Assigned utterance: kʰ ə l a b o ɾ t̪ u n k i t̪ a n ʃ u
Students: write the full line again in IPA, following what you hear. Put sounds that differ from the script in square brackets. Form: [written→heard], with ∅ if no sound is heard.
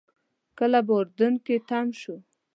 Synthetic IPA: [kʰ→k] ə l a b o ɾ [t̪→d̪] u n k [i→e] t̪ a [n→m] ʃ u